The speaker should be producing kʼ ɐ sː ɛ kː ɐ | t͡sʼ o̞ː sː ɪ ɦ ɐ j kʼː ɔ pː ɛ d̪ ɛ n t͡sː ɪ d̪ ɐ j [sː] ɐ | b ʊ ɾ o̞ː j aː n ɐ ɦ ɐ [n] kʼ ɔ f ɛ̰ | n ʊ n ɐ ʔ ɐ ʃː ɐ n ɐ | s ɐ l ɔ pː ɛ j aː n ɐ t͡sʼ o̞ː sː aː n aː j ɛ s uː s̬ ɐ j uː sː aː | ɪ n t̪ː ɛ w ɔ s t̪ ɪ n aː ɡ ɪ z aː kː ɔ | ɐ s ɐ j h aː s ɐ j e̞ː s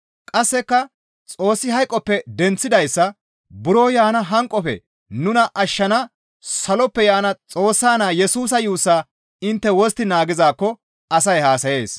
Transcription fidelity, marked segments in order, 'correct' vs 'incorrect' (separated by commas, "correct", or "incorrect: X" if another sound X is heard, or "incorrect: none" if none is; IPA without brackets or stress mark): correct, incorrect: ŋ